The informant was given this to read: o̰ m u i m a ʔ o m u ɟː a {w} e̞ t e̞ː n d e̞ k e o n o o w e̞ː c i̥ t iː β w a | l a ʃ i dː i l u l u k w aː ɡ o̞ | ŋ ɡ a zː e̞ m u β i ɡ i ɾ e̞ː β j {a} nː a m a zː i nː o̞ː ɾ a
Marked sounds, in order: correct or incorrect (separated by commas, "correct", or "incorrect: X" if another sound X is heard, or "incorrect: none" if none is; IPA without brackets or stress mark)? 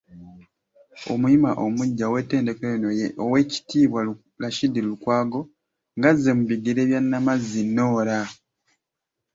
correct, correct